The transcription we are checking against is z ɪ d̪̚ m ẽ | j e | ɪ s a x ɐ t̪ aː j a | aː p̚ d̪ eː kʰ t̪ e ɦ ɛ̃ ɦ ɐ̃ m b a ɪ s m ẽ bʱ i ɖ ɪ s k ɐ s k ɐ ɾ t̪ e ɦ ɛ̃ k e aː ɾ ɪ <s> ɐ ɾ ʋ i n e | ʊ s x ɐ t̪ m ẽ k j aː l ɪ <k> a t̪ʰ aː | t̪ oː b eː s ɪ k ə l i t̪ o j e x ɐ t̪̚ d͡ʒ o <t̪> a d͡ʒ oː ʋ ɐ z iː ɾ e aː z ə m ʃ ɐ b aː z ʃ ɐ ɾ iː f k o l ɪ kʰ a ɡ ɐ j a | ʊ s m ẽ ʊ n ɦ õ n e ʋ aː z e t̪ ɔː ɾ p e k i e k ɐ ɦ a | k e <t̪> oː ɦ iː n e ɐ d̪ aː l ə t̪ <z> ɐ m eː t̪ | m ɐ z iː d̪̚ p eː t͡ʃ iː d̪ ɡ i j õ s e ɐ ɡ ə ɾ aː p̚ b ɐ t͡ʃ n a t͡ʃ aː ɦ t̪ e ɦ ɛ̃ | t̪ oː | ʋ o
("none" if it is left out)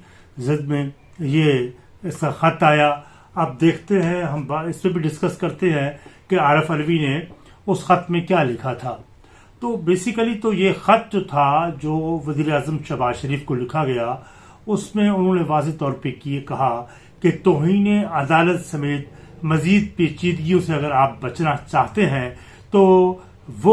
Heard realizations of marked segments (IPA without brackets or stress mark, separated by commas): f, kʰ, t̪ʰ, t̪, s